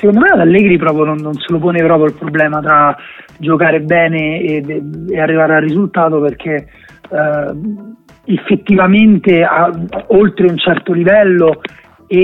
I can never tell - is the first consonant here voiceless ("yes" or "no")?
yes